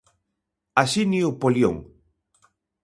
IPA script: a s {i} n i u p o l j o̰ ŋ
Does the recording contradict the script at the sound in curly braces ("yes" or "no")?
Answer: no